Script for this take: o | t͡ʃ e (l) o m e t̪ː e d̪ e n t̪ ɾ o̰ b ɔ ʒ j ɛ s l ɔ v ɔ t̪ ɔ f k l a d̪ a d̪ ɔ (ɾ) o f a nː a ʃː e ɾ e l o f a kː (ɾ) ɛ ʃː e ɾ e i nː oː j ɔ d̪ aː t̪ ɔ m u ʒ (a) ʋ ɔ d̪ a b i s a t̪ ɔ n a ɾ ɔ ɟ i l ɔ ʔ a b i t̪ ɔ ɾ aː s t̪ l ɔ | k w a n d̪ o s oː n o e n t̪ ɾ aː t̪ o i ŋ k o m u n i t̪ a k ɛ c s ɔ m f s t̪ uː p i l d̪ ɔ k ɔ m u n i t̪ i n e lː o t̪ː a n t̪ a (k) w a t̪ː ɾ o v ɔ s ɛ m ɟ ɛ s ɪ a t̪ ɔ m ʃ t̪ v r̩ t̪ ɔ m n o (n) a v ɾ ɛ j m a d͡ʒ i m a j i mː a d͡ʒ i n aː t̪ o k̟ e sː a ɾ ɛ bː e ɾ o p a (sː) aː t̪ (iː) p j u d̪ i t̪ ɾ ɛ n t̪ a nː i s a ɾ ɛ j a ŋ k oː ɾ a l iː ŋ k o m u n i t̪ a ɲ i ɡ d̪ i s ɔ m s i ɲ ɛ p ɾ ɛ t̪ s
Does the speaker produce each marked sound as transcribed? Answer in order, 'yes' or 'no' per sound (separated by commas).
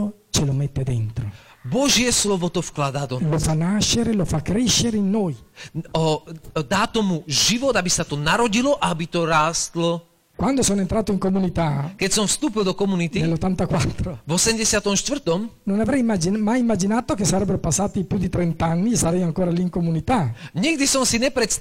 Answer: yes, no, yes, no, yes, yes, yes, no